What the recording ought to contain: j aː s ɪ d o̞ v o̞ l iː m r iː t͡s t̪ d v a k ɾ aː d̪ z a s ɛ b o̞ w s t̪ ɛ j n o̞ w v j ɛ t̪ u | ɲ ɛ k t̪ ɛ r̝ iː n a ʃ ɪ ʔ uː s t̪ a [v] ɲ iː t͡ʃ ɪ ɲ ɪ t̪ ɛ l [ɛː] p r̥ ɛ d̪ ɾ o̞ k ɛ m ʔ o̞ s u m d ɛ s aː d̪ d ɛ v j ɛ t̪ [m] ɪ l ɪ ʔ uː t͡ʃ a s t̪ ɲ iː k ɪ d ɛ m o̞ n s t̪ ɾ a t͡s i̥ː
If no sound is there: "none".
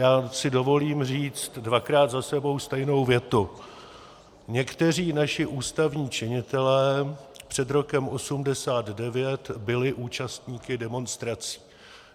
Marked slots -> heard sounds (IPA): v, ɛː, b

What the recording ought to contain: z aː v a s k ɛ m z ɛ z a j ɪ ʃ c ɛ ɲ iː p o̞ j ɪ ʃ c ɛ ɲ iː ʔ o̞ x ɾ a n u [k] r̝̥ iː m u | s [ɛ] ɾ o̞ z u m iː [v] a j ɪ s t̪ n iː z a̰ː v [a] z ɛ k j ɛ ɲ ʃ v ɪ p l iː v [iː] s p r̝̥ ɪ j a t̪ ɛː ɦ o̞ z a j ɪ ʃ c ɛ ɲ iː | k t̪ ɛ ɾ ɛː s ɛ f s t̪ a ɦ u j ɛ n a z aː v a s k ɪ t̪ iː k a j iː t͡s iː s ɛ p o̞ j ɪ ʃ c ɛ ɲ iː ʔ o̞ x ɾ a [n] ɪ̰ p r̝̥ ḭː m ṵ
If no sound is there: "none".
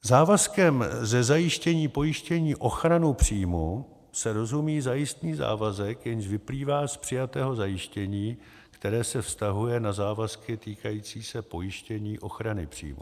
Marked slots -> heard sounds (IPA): p, ɛ, z, a, aː, n

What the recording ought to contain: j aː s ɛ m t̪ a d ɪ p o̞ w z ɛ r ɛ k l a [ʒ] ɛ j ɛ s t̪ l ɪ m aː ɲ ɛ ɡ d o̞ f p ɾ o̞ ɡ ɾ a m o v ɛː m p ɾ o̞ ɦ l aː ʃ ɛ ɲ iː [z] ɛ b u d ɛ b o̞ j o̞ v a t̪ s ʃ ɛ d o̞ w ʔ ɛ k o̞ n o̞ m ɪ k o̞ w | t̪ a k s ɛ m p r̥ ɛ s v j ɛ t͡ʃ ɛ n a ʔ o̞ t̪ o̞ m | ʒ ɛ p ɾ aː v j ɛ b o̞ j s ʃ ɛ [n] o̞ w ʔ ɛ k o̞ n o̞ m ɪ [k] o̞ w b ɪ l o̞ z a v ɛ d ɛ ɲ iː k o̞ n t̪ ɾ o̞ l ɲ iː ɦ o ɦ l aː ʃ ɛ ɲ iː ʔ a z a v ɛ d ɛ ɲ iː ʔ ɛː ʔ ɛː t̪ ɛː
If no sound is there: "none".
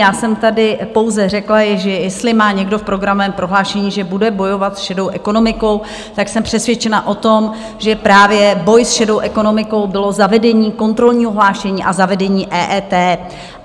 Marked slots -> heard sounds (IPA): ʒ, ʒ, d, k

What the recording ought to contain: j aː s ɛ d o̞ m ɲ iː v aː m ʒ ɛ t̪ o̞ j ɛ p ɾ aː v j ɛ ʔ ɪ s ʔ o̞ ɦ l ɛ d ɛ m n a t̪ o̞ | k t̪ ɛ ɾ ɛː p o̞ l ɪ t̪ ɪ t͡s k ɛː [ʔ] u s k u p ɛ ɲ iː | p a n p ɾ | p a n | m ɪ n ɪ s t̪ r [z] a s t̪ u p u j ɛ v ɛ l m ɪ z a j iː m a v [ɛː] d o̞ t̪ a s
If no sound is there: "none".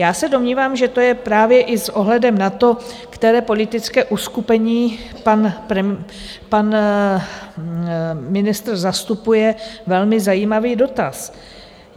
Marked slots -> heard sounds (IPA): ʔ, z, iː

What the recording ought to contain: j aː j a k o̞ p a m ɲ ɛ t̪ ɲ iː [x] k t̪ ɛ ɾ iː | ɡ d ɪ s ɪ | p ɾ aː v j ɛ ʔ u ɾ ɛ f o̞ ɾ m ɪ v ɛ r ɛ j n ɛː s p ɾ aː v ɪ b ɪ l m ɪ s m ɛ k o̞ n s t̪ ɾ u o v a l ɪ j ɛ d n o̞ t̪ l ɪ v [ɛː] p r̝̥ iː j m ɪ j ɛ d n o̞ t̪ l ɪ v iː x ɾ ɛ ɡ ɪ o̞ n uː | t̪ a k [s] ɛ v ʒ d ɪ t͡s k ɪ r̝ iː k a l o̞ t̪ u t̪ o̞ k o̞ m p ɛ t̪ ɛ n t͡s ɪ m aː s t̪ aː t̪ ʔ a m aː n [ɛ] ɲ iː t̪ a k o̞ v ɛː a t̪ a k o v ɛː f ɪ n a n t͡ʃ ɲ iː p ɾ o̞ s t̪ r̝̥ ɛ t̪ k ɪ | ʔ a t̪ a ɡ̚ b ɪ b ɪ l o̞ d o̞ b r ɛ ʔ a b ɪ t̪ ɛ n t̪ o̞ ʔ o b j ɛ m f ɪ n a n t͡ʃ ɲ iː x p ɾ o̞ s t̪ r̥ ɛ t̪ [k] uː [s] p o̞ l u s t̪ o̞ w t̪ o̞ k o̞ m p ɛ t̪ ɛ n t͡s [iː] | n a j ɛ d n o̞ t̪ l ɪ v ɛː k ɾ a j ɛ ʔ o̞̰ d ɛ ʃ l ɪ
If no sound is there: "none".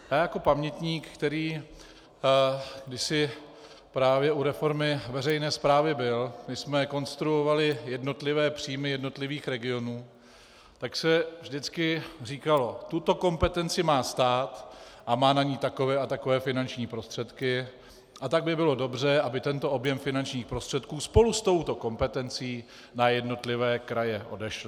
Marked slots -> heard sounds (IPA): k, ɛː, s, a, k, s, iː

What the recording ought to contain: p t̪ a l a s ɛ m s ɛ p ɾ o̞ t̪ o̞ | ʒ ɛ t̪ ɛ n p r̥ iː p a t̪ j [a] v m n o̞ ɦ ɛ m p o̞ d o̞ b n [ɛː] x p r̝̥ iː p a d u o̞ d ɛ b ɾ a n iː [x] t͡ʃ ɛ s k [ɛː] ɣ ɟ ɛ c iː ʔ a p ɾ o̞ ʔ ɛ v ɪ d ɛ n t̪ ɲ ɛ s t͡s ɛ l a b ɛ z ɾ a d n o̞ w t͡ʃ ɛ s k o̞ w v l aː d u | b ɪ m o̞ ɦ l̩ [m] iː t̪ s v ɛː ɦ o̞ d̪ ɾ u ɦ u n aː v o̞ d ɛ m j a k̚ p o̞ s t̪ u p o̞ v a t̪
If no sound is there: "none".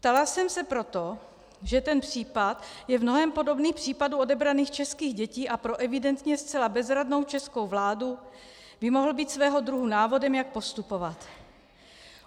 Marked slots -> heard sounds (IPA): ɛ, iː, x, iː, b

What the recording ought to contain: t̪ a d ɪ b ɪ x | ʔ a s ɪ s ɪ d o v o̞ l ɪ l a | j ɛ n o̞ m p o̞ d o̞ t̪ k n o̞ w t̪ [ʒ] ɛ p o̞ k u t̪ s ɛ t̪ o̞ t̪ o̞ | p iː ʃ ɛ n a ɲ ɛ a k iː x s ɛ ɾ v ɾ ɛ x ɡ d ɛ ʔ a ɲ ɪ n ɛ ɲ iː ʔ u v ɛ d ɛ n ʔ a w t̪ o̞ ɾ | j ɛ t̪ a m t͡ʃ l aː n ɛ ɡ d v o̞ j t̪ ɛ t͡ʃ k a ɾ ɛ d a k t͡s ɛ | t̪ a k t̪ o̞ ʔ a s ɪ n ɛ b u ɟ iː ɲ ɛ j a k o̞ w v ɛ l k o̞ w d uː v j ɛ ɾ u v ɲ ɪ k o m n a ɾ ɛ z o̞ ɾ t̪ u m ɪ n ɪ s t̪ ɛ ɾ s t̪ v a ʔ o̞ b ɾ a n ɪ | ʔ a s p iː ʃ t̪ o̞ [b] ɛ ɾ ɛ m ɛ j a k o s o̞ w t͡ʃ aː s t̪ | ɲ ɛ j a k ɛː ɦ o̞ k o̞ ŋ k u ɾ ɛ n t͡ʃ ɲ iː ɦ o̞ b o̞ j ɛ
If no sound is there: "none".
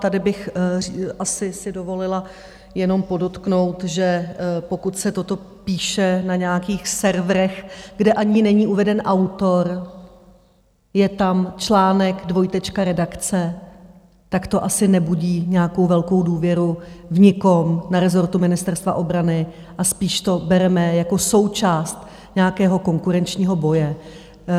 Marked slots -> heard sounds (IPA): ʒ, b

